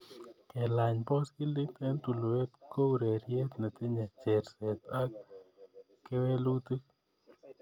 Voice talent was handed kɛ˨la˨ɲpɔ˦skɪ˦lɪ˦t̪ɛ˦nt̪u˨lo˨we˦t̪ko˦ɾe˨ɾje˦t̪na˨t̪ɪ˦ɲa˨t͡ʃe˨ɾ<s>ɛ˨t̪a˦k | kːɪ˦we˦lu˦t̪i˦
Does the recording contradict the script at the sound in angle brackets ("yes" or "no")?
no